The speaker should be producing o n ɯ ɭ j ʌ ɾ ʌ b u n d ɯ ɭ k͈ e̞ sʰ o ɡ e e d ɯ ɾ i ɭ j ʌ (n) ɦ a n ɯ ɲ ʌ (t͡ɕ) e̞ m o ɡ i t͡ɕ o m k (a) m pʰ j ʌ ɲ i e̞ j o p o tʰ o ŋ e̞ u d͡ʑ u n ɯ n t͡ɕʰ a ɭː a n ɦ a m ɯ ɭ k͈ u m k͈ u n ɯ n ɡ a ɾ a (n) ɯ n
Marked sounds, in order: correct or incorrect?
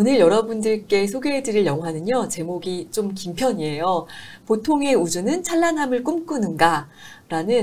incorrect, correct, incorrect, correct

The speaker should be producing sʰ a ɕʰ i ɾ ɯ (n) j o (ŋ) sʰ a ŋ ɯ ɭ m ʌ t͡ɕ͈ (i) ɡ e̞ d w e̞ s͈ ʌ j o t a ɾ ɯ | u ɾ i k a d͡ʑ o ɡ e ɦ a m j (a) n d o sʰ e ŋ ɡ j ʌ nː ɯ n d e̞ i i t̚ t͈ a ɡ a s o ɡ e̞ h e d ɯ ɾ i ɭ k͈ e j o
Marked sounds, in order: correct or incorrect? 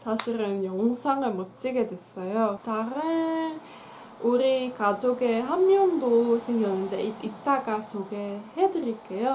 correct, correct, correct, incorrect

